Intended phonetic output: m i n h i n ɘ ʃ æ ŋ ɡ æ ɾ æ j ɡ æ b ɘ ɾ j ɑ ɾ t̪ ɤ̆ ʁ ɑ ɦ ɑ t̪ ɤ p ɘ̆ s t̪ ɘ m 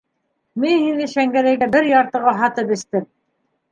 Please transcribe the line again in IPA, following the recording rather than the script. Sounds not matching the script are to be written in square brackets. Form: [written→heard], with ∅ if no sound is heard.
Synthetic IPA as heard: m i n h i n ɘ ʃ æ ŋ ɡ æ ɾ æ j ɡ æ b ɘ ɾ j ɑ ɾ t̪ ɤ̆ ʁ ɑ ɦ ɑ t̪ ɤ p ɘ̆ s t̪ ɘ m